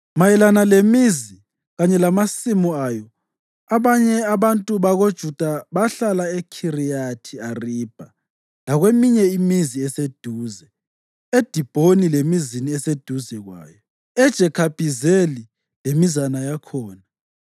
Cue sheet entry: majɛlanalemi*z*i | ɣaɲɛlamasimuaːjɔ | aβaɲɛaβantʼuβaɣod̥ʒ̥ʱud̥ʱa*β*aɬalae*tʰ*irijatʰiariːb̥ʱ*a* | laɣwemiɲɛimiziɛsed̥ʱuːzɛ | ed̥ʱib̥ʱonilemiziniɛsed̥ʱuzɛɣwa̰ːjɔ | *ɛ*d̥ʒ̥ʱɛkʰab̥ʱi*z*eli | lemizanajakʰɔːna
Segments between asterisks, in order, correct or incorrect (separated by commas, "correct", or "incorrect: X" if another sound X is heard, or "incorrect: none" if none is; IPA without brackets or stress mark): correct, correct, incorrect: kʰ, correct, correct, correct